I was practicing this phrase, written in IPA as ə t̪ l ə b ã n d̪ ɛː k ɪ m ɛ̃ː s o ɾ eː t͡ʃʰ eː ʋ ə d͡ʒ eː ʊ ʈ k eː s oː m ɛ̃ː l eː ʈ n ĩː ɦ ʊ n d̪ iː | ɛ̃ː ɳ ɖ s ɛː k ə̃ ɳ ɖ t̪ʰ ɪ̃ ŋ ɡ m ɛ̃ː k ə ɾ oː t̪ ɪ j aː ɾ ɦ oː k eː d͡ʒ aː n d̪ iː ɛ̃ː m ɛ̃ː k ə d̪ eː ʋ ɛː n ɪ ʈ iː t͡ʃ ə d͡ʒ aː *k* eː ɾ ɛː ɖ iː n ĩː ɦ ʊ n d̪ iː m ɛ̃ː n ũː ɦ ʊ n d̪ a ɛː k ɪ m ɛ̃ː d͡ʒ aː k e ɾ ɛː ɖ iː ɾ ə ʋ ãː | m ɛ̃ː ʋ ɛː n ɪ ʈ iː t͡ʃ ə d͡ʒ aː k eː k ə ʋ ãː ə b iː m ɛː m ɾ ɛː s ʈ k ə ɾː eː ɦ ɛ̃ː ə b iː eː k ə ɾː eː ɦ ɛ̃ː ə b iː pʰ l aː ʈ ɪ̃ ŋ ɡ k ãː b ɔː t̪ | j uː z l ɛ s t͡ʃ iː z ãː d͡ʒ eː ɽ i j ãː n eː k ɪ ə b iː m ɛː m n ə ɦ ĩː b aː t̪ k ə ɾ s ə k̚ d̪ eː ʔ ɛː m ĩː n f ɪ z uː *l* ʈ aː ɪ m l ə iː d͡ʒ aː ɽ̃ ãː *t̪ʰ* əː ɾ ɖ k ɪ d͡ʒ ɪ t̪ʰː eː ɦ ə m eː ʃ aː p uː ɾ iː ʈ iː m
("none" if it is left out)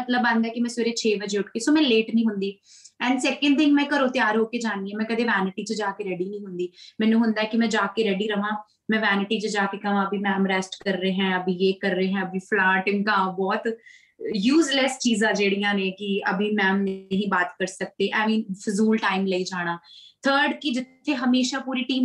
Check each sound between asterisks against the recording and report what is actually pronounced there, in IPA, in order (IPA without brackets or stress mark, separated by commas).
k, l, t̪ʰ